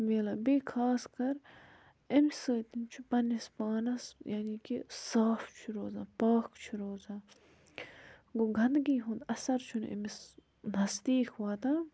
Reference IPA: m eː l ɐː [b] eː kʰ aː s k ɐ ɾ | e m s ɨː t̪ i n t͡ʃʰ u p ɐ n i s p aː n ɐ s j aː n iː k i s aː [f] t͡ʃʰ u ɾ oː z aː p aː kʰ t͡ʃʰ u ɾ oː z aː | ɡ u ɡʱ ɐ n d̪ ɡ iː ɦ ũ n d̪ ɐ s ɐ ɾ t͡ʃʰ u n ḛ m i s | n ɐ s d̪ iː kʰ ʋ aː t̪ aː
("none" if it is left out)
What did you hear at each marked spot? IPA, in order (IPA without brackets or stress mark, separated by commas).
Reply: b, f